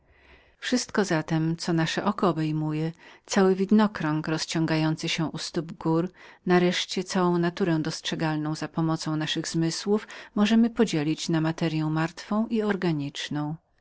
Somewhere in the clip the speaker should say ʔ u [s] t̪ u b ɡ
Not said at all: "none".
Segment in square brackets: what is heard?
s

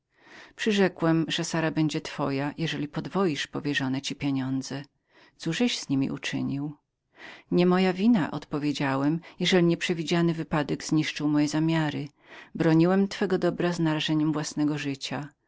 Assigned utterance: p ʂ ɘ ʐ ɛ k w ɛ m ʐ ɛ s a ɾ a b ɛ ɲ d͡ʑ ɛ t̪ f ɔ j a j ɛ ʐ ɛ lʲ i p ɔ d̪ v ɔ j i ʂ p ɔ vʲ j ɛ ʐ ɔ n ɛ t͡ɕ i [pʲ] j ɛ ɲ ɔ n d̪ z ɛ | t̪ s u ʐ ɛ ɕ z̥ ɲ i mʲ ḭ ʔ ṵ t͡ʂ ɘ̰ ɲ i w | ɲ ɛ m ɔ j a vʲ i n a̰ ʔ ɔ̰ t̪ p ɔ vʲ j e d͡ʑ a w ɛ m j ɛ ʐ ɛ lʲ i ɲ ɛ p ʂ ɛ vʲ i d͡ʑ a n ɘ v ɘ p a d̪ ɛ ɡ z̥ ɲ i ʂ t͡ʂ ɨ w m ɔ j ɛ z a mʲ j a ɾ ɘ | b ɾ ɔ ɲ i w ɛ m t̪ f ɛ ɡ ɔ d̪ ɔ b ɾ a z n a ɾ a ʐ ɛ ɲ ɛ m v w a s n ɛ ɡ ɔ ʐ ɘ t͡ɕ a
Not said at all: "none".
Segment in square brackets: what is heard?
pʲ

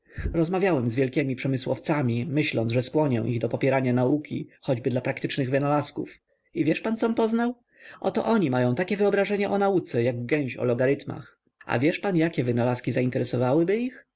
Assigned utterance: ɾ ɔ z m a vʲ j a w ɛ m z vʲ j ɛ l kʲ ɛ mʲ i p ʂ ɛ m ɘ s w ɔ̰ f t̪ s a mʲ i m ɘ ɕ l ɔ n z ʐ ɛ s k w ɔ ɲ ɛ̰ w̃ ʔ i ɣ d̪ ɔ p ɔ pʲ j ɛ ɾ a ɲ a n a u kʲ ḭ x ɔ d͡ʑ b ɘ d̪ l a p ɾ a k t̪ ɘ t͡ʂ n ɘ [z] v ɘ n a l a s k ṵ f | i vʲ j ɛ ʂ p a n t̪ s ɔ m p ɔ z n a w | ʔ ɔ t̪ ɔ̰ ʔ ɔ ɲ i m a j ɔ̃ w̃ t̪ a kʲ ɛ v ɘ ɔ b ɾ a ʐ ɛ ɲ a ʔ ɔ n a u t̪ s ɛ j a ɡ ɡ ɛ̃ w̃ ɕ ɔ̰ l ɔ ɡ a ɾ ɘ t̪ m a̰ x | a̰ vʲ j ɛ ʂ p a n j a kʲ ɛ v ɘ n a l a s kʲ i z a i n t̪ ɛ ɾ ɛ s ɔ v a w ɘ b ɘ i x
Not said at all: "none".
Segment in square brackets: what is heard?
ɣ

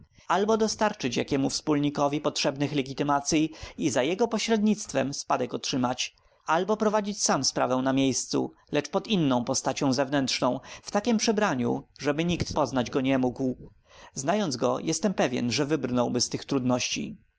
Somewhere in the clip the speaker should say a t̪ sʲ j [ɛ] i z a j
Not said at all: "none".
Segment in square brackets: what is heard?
i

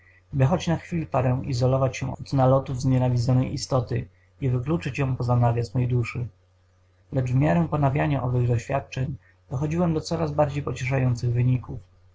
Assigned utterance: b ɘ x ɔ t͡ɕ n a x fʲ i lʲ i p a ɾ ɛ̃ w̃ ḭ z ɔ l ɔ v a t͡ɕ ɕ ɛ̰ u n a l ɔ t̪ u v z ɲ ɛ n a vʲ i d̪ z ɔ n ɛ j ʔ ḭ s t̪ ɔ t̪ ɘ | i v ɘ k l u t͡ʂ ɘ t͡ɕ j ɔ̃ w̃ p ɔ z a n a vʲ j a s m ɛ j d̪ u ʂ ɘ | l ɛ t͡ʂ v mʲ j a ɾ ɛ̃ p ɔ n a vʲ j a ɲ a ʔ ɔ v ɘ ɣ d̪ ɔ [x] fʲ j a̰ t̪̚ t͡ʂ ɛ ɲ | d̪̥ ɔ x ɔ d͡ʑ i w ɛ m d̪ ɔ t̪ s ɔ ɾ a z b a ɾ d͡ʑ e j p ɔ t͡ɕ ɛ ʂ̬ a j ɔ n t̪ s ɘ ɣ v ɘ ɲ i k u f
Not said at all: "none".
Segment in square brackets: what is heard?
ɕ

